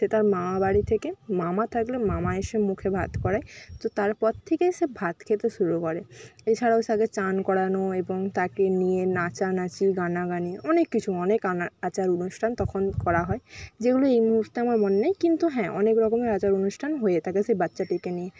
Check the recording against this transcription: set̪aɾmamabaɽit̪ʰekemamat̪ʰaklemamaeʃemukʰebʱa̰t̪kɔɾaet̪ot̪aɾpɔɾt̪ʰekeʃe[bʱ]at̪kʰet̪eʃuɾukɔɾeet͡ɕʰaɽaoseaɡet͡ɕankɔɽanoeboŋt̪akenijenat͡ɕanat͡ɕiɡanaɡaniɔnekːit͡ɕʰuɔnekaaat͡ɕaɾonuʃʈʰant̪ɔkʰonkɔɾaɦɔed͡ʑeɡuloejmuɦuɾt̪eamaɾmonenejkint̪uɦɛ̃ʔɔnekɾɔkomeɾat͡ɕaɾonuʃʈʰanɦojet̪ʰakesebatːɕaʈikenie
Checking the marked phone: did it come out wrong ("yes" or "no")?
no